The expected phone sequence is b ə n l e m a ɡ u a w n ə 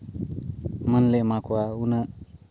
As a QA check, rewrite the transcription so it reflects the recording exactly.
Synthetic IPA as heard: m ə n l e m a k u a u n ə